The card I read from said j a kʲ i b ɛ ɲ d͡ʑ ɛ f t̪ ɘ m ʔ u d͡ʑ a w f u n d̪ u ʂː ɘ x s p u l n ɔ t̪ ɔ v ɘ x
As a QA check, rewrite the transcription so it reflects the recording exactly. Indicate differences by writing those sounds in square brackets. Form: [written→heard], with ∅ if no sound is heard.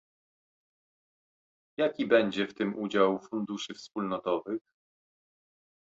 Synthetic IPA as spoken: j a kʲ i b ɛ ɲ d͡ʑ ɛ f t̪ ɘ m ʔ u d͡ʑ a w f u n d̪ u [ʂː→ʂ] ɘ [x→f] s p u l n ɔ t̪ ɔ v ɘ x